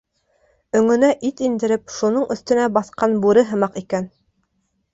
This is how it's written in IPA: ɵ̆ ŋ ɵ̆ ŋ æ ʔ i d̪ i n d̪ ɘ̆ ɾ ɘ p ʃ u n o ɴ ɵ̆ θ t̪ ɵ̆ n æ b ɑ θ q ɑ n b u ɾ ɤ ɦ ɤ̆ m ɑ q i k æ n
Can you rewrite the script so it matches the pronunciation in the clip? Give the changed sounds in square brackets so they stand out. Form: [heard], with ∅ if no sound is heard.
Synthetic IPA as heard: ɵ̆ ŋ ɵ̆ [n] æ ʔ i [t̪] i n d̪ ɘ̆ ɾ ɘ p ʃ u n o ɴ ɵ̆ θ t̪ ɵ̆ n æ b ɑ θ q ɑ n b u ɾ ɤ ɦ ɤ̆ m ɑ q i k æ n